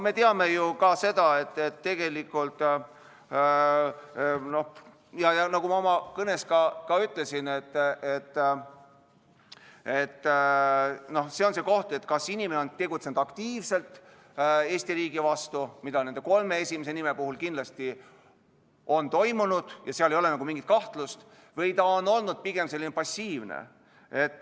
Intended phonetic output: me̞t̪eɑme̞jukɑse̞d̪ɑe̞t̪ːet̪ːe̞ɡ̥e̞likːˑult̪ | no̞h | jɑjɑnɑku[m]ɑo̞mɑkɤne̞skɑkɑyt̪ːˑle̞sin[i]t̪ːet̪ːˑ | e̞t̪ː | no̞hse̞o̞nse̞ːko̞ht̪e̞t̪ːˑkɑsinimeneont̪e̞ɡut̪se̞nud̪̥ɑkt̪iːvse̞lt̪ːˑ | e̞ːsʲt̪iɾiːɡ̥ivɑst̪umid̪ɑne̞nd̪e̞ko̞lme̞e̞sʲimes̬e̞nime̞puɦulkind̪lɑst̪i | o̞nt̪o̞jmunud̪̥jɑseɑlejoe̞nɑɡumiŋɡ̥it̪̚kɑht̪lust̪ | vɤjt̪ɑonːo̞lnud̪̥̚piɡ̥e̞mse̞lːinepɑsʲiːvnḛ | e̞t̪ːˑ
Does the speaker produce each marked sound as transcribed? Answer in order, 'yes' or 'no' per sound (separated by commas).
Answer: yes, no